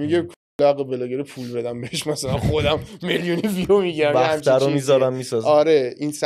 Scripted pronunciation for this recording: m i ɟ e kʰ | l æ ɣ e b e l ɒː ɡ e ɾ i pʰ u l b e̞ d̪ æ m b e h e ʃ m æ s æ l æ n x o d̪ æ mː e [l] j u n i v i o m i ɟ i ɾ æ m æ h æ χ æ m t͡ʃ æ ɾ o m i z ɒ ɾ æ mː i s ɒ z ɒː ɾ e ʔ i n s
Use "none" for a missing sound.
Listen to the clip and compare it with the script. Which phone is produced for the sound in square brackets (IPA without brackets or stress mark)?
l